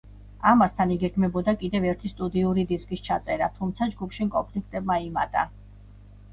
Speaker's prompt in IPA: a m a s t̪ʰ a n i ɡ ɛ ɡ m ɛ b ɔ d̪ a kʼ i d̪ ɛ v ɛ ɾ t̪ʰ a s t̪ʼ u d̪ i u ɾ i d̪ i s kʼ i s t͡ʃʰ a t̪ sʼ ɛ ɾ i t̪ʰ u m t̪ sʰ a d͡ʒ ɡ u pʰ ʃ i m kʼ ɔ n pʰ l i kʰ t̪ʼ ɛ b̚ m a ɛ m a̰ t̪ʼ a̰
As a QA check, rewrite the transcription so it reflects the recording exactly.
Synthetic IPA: a m a s t̪ʰ a n i ɡ ɛ ɡ m ɛ b ɔ d̪ a kʼ i d̪ ɛ v ɛ ɾ t̪ʰ i s t̪ʼ u d̪ i u ɾ i d̪ i s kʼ i s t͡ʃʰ a t̪ sʼ ɛ ɾ a t̪ʰ u m t̪ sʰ a d͡ʒ ɡ u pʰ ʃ i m kʼ ɔ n pʰ l i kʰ t̪ʼ ɛ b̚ m a i m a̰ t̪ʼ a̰